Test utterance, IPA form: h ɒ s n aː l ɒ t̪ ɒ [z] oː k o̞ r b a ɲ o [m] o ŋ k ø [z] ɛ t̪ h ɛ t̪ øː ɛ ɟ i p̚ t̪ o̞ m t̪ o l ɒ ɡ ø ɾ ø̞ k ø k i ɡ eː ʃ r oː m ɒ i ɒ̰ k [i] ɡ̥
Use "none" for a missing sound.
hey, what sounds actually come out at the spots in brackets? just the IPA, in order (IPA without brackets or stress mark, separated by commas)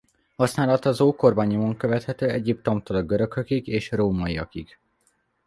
z, m, v, i